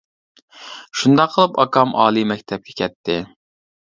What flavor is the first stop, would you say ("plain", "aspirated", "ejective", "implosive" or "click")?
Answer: plain